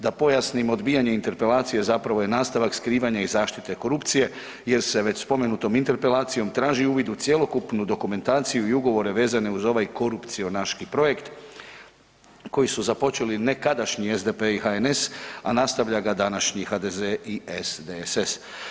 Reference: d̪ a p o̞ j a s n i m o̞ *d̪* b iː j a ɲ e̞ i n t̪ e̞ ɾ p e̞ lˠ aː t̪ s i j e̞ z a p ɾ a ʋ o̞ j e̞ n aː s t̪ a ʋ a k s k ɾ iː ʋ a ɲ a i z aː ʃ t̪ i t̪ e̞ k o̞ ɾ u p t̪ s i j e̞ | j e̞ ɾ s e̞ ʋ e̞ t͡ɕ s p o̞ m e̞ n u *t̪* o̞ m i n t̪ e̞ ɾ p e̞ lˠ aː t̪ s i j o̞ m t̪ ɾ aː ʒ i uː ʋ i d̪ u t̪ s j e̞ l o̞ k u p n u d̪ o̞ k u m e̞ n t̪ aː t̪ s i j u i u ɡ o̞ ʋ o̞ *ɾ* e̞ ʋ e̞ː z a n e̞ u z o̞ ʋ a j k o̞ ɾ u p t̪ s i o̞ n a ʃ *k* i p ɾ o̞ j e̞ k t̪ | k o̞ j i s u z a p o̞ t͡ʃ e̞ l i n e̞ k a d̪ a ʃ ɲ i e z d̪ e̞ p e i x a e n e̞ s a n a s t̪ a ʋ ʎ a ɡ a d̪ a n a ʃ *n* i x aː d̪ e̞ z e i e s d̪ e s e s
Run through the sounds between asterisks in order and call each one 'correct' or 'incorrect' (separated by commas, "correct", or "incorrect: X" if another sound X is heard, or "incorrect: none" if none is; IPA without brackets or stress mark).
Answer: correct, correct, correct, correct, incorrect: ɲ